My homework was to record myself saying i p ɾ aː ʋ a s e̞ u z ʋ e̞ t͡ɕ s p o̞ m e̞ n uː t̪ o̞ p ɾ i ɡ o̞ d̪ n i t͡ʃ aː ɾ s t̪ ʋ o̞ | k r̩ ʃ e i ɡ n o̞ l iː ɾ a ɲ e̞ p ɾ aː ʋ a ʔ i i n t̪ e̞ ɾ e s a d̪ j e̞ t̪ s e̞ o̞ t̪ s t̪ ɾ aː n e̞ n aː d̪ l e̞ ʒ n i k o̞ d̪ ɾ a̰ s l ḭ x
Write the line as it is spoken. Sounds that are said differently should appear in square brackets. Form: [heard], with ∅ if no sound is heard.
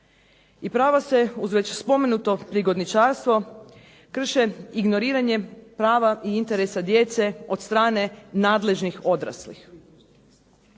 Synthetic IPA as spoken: i p ɾ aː ʋ a s e̞ u z ʋ e̞ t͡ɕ s p o̞ m e̞ n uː t̪ o̞ p ɾ i ɡ o̞ d̪ n i t͡ʃ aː ɾ s t̪ ʋ o̞ | k r̩ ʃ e i ɡ n o̞ [ɾ] iː ɾ a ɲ e̞ p ɾ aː ʋ a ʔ i i n t̪ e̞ ɾ e s a d̪ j e̞ t̪ s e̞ o̞ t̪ s t̪ ɾ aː n e̞ n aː d̪ l e̞ ʒ n i [x] o̞ d̪ ɾ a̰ s l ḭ x